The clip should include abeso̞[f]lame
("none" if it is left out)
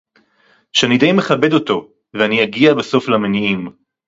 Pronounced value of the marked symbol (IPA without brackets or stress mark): f